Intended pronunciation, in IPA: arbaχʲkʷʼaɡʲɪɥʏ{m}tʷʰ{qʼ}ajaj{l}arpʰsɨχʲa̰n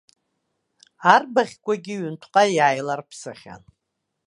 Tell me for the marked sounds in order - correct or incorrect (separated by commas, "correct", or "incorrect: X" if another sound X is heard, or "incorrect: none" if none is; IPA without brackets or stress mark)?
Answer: incorrect: n, correct, correct